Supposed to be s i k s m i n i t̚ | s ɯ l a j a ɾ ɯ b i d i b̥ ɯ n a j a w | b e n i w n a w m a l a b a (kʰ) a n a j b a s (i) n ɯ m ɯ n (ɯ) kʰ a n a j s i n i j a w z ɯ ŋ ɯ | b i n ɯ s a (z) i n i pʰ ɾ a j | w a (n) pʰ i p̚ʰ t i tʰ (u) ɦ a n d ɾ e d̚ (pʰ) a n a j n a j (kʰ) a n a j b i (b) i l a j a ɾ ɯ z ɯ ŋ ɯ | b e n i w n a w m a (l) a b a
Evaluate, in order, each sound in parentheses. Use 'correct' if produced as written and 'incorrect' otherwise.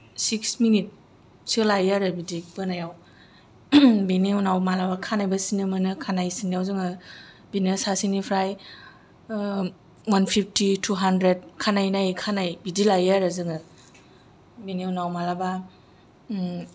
correct, correct, correct, incorrect: s, correct, correct, incorrect: kʰ, correct, incorrect: d, correct

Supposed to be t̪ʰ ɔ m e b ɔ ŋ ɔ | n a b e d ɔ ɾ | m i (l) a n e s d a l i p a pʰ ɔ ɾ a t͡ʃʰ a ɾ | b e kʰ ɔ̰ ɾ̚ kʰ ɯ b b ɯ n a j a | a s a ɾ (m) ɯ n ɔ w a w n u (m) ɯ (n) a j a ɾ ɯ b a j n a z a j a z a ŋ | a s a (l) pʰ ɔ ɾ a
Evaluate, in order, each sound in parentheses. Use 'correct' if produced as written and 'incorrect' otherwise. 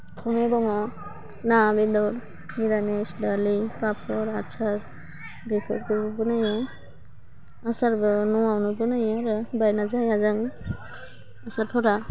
incorrect: ɾ, incorrect: b, incorrect: b, correct, incorrect: ɾ

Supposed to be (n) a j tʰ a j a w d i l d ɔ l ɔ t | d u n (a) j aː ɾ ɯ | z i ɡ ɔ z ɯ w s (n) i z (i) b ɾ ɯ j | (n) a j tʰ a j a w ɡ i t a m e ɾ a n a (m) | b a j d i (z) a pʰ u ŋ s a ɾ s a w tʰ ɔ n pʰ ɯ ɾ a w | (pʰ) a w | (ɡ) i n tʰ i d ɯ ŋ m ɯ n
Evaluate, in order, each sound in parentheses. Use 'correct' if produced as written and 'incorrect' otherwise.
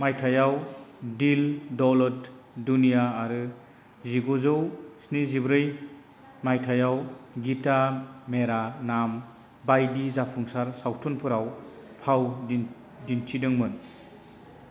incorrect: m, incorrect: i, correct, correct, incorrect: m, correct, correct, correct, incorrect: d

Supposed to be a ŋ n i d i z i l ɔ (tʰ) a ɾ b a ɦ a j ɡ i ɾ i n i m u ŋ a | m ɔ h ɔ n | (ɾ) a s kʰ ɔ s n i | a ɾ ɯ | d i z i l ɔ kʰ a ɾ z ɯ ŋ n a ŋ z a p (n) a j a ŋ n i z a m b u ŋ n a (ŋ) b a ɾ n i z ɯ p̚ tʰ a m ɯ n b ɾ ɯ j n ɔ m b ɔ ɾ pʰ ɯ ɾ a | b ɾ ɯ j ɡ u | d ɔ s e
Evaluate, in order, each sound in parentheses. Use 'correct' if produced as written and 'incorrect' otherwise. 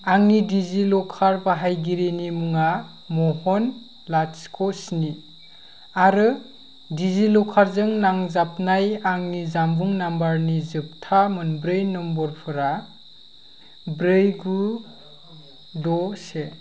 incorrect: kʰ, incorrect: l, correct, incorrect: m

